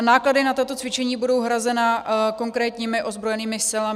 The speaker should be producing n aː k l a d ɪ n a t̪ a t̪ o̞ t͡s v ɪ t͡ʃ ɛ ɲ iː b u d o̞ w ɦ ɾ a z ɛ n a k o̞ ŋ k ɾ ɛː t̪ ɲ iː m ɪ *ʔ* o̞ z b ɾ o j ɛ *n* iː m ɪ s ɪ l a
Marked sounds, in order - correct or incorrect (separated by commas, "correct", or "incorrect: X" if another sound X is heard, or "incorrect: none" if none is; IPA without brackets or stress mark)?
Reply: correct, correct